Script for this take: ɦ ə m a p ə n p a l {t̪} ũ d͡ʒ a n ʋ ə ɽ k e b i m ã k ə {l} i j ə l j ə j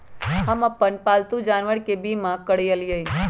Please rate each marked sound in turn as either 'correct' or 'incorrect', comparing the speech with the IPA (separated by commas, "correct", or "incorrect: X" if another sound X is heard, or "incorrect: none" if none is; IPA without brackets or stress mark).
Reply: correct, incorrect: ɽ